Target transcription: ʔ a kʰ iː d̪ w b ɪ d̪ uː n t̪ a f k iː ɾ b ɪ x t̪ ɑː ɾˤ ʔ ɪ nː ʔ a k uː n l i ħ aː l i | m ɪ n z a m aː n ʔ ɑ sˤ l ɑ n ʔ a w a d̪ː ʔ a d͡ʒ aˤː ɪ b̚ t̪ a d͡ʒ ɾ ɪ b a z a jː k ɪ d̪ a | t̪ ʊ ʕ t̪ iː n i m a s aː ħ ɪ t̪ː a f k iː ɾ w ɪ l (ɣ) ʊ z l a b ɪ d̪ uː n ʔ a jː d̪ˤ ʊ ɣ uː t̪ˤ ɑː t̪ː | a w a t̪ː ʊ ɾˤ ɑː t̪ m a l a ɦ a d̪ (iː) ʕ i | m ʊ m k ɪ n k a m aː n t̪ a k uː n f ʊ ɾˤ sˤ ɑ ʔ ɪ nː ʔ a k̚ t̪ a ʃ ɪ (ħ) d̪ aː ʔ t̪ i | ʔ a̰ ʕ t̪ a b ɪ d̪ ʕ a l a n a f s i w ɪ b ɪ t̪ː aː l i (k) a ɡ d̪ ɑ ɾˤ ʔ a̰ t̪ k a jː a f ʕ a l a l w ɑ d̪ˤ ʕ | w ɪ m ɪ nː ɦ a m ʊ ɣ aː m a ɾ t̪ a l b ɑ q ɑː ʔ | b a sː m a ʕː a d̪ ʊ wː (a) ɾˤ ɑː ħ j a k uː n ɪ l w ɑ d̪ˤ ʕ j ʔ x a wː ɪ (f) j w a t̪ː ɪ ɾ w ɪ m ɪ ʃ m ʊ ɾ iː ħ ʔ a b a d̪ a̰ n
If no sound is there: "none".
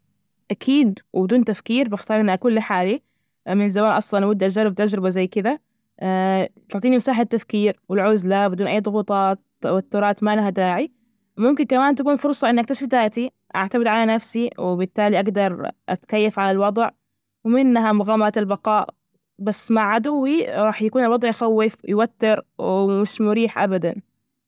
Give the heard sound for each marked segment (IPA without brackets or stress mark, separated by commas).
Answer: ʕ, aː, f, ʔ, i, f